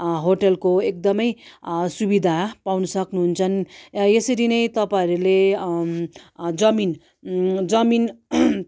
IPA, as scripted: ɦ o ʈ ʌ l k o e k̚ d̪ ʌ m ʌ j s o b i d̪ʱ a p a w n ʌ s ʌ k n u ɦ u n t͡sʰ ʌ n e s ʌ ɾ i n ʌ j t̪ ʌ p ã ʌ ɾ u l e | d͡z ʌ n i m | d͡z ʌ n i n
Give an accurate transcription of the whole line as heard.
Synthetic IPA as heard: ɦ o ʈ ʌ l k o e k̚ d̪ ʌ m ʌ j s u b i d̪ʱ a p a w n ʌ s ʌ k n u ɦ u n t͡sʰ ʌ n e s ʌ ɾ i n ʌ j t̪ ʌ p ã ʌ ɾ u l e | d͡z ʌ m i n | d͡z ʌ m i n

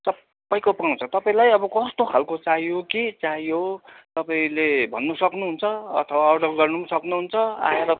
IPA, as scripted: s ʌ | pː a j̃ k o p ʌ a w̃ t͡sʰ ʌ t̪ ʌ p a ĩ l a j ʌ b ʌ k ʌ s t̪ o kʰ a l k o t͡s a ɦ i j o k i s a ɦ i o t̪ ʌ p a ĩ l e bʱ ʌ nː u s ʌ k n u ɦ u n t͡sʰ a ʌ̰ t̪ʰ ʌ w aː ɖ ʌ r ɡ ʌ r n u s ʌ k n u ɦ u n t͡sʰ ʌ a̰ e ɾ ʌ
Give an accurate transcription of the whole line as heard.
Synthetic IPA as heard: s ʌ | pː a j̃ k o p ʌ a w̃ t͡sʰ ʌ t̪ ʌ p a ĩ l a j ʌ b ʌ k ʌ s t̪ o kʰ a l k o t͡s a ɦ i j o k i t͡s a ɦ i o t̪ ʌ p a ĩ l e bʱ ʌ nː u s ʌ k n u ɦ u n t͡sʰ ʌ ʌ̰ t̪ʰ ʌ w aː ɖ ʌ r ɡ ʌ r n u s ʌ k n u ɦ u n t͡sʰ ʌ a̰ e ɾ ʌ

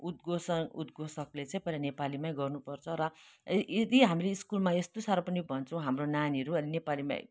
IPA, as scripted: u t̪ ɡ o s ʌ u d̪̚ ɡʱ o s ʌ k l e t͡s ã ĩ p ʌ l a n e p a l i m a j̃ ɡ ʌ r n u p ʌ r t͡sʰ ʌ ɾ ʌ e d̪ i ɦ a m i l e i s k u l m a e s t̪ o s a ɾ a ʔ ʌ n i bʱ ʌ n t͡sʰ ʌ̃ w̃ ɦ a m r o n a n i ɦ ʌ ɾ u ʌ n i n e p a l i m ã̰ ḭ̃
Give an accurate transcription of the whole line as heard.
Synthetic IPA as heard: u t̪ ɡ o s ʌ u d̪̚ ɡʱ o s ʌ k l e t͡s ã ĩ p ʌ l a n e p a l i m a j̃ ɡ ʌ r n u p ʌ r t͡sʰ ʌ ɾ ʌ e d̪ i ɦ a m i l e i s k u l m a e s t̪ o s a ɾ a p ʌ n i bʱ ʌ n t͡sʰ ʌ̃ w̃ ɦ a m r o n a n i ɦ ʌ ɾ u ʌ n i n e p a l i m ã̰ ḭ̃

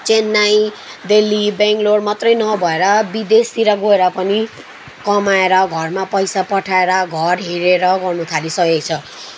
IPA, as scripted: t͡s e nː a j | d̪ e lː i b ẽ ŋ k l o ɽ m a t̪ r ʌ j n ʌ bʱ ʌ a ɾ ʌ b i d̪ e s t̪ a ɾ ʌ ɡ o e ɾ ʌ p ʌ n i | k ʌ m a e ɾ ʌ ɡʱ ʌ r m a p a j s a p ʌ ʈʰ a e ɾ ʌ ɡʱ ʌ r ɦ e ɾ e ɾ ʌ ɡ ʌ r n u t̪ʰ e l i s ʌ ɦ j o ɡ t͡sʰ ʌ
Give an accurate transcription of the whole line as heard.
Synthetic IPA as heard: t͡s e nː a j | d̪ e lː i b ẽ ŋ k l o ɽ m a t̪ r ʌ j n ʌ bʱ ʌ e ɾ ʌ b i d̪ e s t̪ i ɾ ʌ ɡ o e ɾ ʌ p ʌ n i | k ʌ m a e ɾ ʌ ɡʱ ʌ r m a p ʌ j s a p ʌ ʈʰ a e ɾ ʌ ɡʱ ʌ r ɦ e ɾ e ɾ ʌ ɡ ʌ r n u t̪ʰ a l i s ʌ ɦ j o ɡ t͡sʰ ʌ

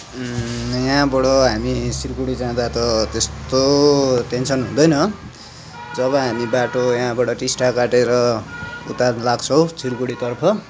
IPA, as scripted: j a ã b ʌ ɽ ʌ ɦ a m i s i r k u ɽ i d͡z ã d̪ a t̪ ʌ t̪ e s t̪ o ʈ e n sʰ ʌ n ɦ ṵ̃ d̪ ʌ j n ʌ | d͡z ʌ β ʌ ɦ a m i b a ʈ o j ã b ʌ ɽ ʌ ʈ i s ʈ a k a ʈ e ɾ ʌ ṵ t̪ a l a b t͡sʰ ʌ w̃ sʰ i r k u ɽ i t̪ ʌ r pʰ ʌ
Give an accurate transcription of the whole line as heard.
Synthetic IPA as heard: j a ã b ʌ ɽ ʌ ɦ a m i s i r k u ɽ i d͡z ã d̪ a t̪ ʌ t̪ e s t̪ o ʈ e n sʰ ʌ n ɦ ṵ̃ d̪ ʌ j n ʌ | d͡z ʌ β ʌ ɦ a m i b a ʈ o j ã b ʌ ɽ ʌ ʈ i s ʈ a k a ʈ e ɾ ʌ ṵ t̪ a l a ɡ t͡sʰ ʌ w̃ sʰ i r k u ɽ i t̪ ʌ r pʰ ʌ

